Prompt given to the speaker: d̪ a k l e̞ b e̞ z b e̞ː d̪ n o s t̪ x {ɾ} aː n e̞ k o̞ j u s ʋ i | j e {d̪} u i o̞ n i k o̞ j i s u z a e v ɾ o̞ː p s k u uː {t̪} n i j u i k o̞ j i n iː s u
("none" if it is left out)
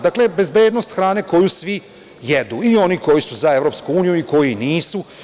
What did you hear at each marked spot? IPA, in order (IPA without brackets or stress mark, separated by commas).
ɾ, d̪, none